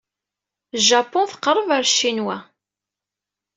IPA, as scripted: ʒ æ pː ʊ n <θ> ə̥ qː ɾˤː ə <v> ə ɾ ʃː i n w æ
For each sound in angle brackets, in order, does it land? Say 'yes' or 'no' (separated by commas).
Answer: yes, yes